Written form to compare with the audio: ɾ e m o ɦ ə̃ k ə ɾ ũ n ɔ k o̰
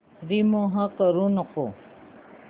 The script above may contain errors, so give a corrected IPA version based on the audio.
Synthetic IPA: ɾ i m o ɦ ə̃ k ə ɾ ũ n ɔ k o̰